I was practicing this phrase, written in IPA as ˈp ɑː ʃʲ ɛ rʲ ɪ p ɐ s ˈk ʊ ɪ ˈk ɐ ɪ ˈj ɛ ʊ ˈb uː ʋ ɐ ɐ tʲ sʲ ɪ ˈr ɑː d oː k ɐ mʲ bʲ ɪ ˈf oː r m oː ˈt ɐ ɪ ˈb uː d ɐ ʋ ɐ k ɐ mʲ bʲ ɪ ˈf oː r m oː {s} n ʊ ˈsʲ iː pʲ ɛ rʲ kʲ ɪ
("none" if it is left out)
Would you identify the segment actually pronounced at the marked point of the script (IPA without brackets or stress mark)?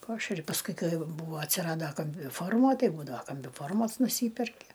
s